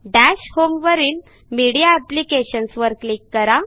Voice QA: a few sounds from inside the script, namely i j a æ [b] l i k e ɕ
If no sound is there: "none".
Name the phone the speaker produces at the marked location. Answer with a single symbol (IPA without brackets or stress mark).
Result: p